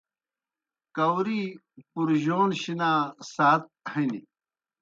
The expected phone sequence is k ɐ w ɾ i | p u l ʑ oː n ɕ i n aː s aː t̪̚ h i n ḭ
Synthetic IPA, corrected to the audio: k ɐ w ɾ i | p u ɾ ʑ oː n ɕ i n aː s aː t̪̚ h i n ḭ